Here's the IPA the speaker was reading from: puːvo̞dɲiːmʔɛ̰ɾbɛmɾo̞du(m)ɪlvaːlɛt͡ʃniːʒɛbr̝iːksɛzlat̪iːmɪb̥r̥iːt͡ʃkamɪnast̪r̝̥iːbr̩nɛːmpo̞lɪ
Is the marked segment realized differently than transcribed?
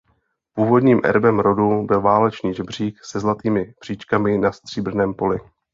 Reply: yes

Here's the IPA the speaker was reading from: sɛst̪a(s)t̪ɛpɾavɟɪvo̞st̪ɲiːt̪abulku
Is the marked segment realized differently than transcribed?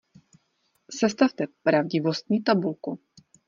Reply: yes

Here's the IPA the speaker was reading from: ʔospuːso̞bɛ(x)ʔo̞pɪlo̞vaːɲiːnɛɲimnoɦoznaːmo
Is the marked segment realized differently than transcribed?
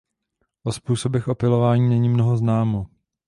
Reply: no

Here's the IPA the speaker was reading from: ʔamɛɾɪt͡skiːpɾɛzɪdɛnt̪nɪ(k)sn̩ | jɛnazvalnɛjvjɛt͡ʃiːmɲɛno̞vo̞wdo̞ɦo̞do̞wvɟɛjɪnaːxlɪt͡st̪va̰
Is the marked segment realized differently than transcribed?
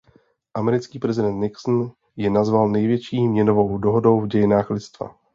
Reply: no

